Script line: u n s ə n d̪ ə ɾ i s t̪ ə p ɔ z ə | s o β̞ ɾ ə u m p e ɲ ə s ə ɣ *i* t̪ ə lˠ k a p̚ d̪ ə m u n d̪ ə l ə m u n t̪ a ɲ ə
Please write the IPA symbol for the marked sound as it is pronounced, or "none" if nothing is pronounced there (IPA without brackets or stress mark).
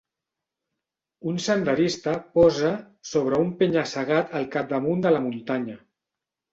a